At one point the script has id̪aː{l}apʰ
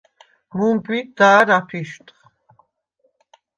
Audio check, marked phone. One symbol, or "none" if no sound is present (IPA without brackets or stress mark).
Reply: ɾ